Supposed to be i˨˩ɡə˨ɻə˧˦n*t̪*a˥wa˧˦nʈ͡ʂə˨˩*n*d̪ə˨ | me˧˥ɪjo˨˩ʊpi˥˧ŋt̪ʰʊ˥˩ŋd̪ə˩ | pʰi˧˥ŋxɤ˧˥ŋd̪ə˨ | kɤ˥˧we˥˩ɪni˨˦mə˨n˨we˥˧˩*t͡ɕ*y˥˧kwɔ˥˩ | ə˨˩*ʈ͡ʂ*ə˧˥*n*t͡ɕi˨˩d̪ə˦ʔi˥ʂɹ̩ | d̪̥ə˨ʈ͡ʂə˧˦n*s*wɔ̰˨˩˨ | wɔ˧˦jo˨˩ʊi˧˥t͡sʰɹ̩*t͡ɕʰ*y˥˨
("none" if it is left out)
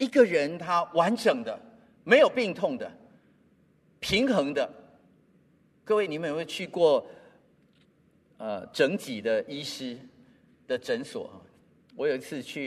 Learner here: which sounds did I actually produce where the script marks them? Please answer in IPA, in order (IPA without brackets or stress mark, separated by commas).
t̪ʰ, ŋ, t͡ɕʰ, ʈ͡ʂ, ŋ, s, t͡ɕʰ